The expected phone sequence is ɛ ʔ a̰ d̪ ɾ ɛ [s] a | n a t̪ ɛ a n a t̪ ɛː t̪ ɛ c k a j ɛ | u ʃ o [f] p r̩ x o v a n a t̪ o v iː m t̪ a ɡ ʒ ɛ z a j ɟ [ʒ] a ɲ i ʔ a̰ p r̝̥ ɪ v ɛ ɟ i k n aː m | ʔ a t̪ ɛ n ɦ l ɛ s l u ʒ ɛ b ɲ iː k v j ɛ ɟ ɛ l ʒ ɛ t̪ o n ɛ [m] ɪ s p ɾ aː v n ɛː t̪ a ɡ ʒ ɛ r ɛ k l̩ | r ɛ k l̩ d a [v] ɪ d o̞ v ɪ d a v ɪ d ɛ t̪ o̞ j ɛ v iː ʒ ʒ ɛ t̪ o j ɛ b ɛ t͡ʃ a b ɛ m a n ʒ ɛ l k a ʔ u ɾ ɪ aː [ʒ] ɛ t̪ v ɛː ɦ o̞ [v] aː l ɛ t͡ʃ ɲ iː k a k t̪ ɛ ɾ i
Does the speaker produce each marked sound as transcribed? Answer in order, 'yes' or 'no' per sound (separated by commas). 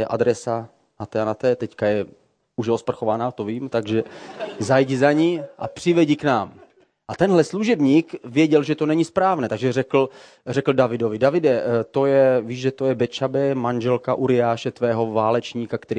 yes, no, no, no, yes, no, yes